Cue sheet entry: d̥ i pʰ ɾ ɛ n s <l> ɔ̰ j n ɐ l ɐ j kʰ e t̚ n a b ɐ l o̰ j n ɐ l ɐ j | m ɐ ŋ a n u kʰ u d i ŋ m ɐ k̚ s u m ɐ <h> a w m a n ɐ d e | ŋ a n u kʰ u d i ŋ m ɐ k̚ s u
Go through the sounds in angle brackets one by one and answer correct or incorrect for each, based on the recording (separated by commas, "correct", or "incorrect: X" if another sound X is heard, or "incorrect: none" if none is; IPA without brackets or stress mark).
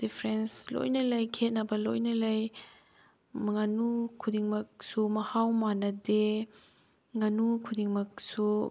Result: correct, correct